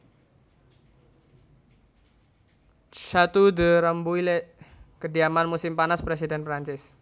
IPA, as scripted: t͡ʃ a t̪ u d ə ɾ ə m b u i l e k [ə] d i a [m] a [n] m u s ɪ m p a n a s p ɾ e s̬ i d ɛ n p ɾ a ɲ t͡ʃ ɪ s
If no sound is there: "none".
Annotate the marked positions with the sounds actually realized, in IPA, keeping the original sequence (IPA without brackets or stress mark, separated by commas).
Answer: ə, m, n